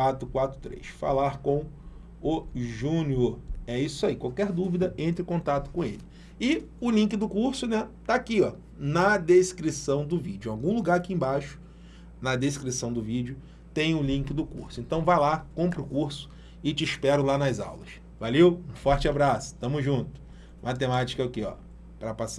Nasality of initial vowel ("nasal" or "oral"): oral